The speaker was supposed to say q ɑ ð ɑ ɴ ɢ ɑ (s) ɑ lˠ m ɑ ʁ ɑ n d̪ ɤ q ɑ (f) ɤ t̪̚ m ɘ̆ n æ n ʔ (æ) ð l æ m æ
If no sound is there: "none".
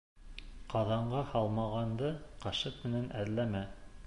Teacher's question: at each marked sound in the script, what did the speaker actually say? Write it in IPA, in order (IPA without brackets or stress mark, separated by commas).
h, ʃ, æ